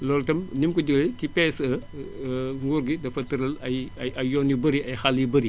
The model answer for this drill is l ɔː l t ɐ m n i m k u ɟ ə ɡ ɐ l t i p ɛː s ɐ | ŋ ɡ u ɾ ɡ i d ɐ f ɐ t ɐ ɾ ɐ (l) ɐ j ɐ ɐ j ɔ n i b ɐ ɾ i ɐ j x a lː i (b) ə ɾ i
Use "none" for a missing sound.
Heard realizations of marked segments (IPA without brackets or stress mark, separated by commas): l, b